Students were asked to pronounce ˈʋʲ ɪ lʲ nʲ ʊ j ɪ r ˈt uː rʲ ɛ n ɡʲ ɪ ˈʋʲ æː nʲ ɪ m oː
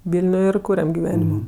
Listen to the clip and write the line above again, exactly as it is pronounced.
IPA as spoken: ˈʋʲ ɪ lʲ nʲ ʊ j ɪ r ˈk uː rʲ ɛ m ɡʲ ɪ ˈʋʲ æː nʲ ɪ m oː